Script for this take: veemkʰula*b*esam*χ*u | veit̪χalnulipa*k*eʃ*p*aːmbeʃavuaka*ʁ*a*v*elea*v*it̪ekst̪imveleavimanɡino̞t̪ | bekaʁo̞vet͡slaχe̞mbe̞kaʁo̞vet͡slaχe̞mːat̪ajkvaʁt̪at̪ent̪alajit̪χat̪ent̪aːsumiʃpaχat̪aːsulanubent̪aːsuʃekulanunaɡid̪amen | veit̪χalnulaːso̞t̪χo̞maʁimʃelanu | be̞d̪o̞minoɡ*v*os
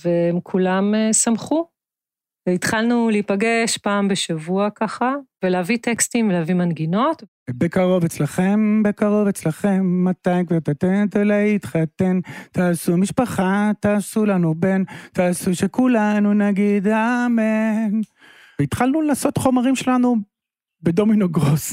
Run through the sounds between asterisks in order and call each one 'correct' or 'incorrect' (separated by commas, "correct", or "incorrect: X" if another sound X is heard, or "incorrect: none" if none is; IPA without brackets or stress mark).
incorrect: m, correct, incorrect: ɡ, correct, incorrect: χ, correct, correct, incorrect: ʁ